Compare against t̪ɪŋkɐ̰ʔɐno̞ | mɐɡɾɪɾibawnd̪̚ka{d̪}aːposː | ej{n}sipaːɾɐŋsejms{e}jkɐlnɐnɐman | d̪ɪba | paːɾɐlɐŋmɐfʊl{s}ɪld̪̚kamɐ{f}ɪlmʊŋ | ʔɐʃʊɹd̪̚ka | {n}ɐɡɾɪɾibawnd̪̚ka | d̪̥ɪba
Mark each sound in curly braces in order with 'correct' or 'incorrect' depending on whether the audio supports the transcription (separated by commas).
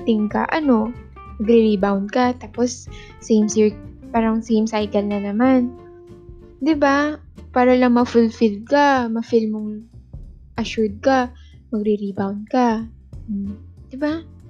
incorrect, incorrect, incorrect, incorrect, correct, incorrect